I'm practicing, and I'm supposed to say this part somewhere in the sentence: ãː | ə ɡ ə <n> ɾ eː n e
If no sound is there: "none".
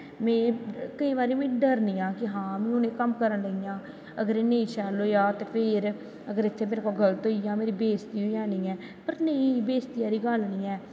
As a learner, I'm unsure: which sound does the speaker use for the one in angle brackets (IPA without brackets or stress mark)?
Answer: none